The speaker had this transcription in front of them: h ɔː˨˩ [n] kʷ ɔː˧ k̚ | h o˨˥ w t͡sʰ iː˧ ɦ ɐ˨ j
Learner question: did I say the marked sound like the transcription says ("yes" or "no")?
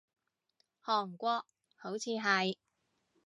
no